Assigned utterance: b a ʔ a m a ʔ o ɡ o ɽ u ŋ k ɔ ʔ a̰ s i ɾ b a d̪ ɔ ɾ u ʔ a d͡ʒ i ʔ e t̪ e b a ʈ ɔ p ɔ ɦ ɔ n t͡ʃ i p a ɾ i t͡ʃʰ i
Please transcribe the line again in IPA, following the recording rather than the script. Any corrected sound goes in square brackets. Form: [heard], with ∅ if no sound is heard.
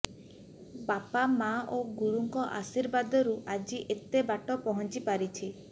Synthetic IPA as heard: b a [p] a m a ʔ o ɡ [u] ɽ u ŋ k ɔ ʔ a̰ s i ɾ b a d̪ ɔ ɾ u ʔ a d͡ʒ i ʔ e t̪ e b a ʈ ɔ p ɔ ɦ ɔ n t͡ʃ i p a ɾ i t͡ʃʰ i

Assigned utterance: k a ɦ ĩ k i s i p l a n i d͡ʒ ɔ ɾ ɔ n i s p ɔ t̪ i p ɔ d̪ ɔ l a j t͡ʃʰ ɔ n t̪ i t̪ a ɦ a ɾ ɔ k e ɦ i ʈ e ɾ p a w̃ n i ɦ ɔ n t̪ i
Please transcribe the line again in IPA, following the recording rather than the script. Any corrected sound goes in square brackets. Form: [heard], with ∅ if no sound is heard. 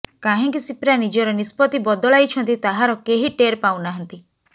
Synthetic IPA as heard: k a ɦ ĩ k i s i p [ɾ] a n i d͡ʒ ɔ ɾ ɔ n i s p ɔ t̪ i [b] ɔ d̪ ɔ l a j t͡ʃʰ ɔ n t̪ i t̪ a ɦ a ɾ ɔ k e ɦ i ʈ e ɾ p a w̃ n [a] ɦ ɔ n t̪ i

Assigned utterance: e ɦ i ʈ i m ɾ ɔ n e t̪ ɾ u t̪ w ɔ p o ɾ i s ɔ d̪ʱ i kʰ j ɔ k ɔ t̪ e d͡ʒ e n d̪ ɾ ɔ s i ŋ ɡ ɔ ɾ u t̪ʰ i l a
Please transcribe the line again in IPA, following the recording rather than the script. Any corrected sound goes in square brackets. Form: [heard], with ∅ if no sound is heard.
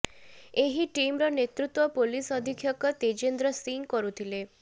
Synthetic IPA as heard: e ɦ i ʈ i m ɾ ɔ n e t̪ ɾ u t̪ w ɔ p o [l] i s ɔ d̪ʱ i kʰ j ɔ k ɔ t̪ e d͡ʒ e n d̪ ɾ ɔ s i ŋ [k] ɔ ɾ u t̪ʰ i l [e]

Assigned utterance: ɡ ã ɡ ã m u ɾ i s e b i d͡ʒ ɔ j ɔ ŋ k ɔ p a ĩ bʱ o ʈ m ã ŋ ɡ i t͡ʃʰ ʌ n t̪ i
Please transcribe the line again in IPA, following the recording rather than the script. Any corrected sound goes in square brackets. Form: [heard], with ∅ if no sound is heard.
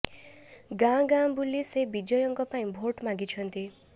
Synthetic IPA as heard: ɡ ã ɡ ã [b] u [l] i s e b i d͡ʒ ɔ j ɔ ŋ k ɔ p a ĩ bʱ o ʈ m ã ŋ ɡ i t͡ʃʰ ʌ n t̪ i

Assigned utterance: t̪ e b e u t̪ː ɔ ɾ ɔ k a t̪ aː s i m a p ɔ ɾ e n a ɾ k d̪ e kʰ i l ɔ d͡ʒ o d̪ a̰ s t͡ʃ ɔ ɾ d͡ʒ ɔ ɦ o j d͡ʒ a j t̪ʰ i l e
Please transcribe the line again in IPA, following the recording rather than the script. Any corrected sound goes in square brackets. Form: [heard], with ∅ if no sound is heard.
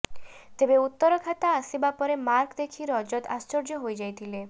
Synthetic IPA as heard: t̪ e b e u t̪ː ɔ ɾ ɔ [kʰ] a t̪ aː s i [b] a p ɔ ɾ e [m] a ɾ k d̪ e kʰ i [ɾ] ɔ d͡ʒ [ɔ] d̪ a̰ s t͡ʃ ɔ ɾ d͡ʒ ɔ ɦ o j d͡ʒ a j t̪ʰ i l e

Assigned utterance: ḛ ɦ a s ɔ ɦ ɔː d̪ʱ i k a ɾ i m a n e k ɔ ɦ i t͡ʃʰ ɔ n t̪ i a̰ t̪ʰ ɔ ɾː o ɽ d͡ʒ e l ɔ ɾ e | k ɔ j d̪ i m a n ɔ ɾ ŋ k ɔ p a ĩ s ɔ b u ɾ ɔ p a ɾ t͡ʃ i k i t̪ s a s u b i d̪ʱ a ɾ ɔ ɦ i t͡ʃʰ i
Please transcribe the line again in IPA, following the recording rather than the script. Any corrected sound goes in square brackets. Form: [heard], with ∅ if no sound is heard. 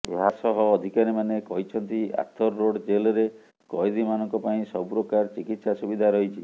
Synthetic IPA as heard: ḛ ɦ a s ɔ ɦ ɔː d̪ʱ i k a ɾ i m a n e k ɔ ɦ i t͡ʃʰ ɔ n t̪ i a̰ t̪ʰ ɔ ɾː o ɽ d͡ʒ e l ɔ ɾ e | k ɔ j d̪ i m a n ɔ [∅] ŋ k ɔ p a ĩ s ɔ b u ɾ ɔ [k] a ɾ t͡ʃ i k i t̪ s a s u b i d̪ʱ a ɾ ɔ ɦ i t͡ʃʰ i

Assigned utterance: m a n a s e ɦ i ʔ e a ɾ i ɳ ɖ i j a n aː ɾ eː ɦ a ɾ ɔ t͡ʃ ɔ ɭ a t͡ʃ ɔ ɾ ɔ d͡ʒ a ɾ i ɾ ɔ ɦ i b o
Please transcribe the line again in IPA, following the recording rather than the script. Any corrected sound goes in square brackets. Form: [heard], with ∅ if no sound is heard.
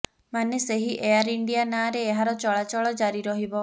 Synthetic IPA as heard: m a n [e] s e ɦ i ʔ e a ɾ i ɳ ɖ i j a n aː ɾ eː ɦ a ɾ ɔ t͡ʃ ɔ ɭ a t͡ʃ ɔ [ɭ] ɔ d͡ʒ a ɾ i ɾ ɔ ɦ i b [ɔ]

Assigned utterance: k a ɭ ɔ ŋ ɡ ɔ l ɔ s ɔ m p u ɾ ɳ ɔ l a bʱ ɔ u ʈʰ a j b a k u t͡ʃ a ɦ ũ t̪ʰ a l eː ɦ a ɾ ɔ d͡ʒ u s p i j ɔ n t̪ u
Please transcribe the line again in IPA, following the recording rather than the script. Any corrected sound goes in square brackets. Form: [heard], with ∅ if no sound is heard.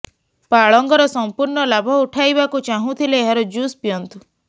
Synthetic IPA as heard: [p] a ɭ ɔ ŋ ɡ ɔ [ɾ] ɔ s ɔ m p u ɾ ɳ ɔ l a bʱ ɔ u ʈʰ a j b a k u t͡ʃ a ɦ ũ t̪ʰ [i] l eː ɦ a ɾ ɔ d͡ʒ u s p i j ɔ n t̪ u

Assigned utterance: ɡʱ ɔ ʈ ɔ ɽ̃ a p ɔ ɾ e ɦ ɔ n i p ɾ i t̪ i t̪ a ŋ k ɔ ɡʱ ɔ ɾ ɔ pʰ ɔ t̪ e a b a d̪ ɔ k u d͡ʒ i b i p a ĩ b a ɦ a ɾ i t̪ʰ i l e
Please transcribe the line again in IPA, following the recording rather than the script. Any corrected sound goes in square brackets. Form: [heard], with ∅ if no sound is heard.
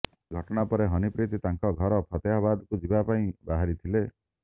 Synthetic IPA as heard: ɡʱ ɔ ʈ ɔ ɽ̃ a p ɔ ɾ e ɦ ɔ n i p ɾ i t̪ i t̪ a ŋ k ɔ ɡʱ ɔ ɾ ɔ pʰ ɔ t̪ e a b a d̪ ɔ k u d͡ʒ i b [a] p a ĩ b a ɦ a ɾ i t̪ʰ i l e

